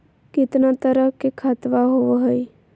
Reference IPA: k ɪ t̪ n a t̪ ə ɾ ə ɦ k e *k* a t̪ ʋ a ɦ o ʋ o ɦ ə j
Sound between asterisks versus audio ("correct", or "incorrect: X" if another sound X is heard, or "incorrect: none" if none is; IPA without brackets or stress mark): incorrect: kʰ